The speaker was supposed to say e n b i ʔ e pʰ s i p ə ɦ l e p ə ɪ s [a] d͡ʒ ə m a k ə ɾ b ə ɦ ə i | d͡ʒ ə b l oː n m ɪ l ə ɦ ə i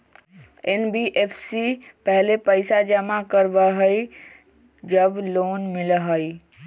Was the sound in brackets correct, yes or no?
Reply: yes